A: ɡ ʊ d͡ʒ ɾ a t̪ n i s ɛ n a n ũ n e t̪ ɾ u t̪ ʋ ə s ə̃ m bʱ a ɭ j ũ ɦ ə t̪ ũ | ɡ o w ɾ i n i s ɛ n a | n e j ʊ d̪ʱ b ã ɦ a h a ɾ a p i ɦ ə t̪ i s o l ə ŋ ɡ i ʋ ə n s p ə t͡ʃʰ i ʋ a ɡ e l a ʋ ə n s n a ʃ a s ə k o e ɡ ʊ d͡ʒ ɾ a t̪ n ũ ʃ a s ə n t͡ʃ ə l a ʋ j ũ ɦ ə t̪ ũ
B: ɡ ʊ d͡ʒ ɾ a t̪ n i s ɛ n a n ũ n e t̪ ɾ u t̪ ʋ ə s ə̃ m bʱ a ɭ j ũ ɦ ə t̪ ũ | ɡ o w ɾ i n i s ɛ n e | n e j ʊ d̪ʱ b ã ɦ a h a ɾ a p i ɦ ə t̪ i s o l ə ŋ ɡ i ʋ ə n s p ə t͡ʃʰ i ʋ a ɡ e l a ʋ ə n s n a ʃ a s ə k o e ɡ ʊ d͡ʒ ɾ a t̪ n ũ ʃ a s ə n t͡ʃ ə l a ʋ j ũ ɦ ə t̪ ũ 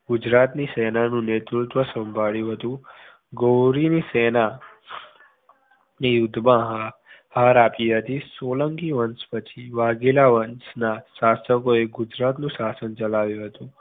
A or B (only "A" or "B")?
A